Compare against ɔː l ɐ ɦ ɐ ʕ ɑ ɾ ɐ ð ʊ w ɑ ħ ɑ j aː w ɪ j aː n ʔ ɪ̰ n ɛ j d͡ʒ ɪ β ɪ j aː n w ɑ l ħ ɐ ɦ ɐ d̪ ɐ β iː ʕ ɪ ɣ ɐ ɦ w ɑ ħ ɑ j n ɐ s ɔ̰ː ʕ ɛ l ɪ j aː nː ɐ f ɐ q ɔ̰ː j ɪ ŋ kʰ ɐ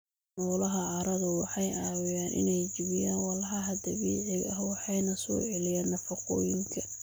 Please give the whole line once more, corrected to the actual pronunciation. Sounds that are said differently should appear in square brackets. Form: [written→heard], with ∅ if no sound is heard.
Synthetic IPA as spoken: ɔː l ɐ ɦ ɐ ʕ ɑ ɾ ɐ ð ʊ w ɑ ħ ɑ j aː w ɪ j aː n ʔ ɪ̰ n ɛ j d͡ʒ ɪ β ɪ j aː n w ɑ l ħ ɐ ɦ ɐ d̪ ɐ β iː ʕ ɪ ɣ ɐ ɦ w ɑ ħ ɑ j n ɐ s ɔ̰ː ʕ ɛ l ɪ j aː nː ɐ f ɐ q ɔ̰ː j ɪ ŋ kʰ ɐ